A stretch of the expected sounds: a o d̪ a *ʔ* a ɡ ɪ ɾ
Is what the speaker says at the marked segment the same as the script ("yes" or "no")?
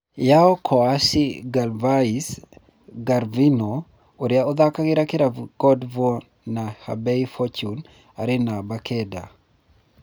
no